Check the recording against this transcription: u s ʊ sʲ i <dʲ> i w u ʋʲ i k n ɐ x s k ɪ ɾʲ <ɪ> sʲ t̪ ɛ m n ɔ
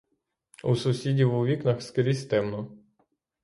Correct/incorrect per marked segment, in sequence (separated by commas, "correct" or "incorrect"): correct, incorrect